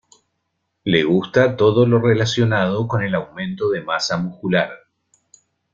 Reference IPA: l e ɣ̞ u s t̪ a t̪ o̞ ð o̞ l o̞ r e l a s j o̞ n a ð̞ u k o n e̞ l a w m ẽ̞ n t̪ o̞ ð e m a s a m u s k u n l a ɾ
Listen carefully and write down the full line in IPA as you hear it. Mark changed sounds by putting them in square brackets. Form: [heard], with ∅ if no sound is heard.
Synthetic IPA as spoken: l e ɣ̞ u s t̪ a t̪ o̞ ð o̞ l o̞ r e l a s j o̞ n a ð̞ [o] k o n e̞ l a w m ẽ̞ n t̪ o̞ ð e m a s a m u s k u [∅] l a ɾ